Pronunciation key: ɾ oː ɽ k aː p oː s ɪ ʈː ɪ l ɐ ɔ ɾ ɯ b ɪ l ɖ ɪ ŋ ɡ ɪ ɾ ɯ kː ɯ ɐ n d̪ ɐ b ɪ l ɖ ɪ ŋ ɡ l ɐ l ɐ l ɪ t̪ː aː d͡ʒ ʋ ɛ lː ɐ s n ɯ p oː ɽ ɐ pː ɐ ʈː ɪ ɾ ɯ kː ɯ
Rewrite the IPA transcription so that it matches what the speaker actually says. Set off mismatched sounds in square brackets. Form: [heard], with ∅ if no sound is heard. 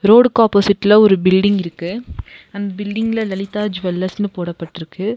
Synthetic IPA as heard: ɾ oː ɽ k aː p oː s ɪ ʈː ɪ l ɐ ɔ ɾ ɯ b ɪ l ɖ ɪ ŋ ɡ ɪ ɾ ɯ kː ɯ ɐ n d̪ ɐ b ɪ l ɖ ɪ ŋ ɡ l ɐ l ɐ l ɪ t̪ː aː d͡ʒ ʋ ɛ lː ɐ s n ɯ p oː ɽ ɐ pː ɐ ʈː ɪ ɾ ɯ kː ɯ